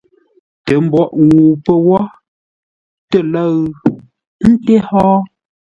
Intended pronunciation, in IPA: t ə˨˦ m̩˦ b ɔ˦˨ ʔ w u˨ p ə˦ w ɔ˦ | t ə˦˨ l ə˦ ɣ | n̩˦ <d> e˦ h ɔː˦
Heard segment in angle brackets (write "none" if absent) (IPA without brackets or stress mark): t